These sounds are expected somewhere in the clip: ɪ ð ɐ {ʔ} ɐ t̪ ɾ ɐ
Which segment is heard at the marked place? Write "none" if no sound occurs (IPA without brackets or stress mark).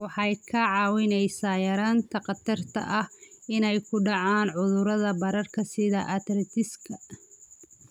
ʔ